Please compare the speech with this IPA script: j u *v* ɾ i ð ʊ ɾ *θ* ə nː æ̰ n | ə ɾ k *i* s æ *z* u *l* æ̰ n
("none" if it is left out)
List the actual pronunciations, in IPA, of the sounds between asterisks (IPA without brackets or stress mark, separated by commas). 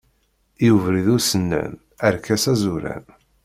v, s, æ, z, ɾ